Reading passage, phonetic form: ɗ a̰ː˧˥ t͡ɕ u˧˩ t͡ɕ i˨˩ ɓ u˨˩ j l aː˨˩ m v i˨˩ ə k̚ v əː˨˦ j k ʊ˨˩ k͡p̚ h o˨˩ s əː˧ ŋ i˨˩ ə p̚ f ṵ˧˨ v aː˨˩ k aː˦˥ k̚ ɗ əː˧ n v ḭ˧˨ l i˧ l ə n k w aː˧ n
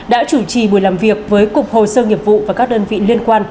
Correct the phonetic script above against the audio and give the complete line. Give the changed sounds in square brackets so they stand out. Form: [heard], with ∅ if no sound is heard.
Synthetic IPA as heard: ɗ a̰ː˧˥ t͡ɕ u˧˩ t͡ɕ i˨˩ ɓ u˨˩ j l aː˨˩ m v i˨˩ ə k̚ v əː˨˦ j k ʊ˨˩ k͡p̚ h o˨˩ s əː˧ ŋ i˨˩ ə p̚ [v] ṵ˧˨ v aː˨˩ k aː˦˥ k̚ ɗ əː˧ n v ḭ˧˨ l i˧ [∅] ə n k w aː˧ n